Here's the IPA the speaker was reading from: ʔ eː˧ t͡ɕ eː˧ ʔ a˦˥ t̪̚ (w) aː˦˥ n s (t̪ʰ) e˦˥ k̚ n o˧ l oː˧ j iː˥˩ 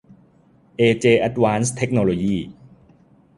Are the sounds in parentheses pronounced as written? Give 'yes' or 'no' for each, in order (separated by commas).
yes, yes